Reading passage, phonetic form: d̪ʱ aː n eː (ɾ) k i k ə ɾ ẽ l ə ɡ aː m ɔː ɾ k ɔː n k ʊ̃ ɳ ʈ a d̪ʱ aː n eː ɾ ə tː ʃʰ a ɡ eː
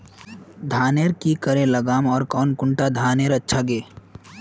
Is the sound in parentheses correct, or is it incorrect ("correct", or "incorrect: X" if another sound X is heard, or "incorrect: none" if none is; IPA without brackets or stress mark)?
correct